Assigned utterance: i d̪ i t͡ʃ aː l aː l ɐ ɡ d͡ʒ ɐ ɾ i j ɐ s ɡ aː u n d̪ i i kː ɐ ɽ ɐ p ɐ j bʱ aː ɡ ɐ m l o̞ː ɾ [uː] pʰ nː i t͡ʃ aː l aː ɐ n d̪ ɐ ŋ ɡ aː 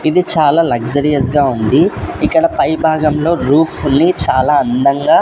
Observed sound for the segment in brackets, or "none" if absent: uː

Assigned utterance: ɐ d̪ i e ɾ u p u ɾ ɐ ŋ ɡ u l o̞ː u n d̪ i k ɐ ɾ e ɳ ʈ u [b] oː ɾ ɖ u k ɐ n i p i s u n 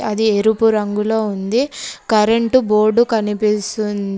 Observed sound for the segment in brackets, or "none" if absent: b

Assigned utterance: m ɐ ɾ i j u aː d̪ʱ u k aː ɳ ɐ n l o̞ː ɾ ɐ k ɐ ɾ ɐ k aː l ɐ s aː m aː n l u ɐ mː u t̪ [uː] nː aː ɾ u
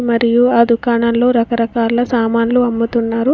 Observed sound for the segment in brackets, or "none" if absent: u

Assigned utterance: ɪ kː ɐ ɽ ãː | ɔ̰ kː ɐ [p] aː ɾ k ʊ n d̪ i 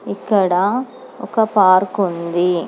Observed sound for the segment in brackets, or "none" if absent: p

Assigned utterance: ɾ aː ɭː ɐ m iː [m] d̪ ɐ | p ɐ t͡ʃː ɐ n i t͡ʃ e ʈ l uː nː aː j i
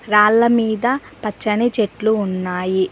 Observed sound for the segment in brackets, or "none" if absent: none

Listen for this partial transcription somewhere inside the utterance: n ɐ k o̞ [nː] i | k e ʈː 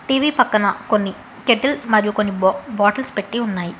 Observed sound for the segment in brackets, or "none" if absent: nː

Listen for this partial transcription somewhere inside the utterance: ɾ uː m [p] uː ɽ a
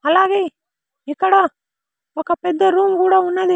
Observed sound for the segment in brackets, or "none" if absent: k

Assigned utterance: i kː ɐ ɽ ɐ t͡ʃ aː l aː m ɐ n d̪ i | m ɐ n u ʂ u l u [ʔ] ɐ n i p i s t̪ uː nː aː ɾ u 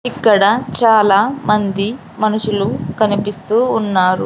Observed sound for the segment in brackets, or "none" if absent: k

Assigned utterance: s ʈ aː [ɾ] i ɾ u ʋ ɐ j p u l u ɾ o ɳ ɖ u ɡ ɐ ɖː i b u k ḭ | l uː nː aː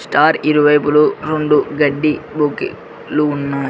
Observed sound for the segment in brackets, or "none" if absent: ɾ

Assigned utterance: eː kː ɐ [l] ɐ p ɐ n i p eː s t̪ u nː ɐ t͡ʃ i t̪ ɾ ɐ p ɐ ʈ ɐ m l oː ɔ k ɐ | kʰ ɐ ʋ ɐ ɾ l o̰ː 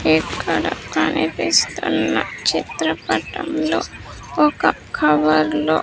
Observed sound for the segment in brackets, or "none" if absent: ɽ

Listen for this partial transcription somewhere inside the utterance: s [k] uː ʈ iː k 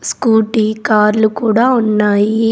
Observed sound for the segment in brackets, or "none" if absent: k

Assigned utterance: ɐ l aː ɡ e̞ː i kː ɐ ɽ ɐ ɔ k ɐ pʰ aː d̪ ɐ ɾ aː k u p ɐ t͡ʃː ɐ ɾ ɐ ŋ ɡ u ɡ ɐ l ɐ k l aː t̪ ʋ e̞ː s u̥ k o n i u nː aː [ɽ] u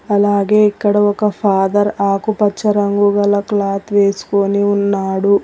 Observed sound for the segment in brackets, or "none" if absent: ɽ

